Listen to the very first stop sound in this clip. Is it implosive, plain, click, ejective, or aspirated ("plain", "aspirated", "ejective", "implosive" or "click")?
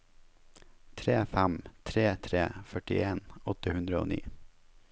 aspirated